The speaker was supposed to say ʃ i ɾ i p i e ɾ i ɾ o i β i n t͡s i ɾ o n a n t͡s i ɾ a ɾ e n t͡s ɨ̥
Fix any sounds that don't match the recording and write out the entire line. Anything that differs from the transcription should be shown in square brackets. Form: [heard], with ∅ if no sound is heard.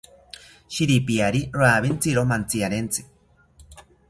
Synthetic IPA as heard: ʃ i ɾ i p i [a] ɾ i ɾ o [a] β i n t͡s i ɾ o [m] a n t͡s i [∅] a ɾ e n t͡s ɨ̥